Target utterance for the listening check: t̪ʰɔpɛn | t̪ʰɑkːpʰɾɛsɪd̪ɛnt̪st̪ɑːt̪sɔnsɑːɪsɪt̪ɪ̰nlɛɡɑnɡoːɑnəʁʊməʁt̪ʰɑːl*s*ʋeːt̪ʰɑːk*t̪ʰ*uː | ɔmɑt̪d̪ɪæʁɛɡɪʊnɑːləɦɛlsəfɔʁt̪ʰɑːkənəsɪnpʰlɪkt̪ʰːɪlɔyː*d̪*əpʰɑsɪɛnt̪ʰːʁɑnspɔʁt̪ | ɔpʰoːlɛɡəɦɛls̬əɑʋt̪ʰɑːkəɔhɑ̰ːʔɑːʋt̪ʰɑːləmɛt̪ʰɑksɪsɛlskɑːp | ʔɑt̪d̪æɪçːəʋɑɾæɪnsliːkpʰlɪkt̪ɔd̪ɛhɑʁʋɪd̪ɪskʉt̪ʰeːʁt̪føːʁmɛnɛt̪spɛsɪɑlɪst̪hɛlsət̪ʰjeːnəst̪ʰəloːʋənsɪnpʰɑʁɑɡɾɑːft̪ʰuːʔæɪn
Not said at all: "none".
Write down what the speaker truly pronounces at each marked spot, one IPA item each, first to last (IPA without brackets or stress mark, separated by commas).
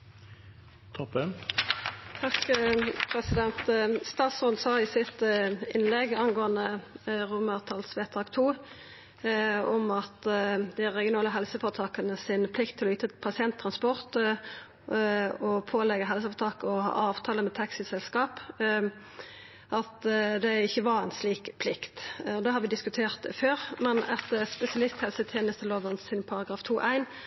s, t̪ʰ, t̪